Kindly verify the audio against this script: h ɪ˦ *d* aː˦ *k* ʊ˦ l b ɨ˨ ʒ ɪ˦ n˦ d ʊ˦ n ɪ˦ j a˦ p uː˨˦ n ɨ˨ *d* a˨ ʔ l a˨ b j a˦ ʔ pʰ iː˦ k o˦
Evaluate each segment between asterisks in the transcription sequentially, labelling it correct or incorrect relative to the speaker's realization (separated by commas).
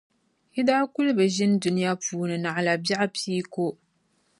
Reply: correct, correct, incorrect